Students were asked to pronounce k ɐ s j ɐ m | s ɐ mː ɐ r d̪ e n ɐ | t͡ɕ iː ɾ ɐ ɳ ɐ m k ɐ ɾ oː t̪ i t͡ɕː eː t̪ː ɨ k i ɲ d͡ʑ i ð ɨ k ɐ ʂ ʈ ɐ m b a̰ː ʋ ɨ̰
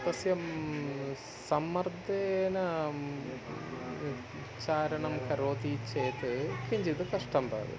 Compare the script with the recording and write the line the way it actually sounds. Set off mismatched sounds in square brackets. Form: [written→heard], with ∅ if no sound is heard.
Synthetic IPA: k ɐ s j ɐ m | s ɐ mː ɐ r d̪ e n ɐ | t͡ɕ [iː→aː] ɾ ɐ ɳ ɐ m k ɐ ɾ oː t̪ i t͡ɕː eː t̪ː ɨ k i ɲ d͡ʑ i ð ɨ k ɐ ʂ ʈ ɐ m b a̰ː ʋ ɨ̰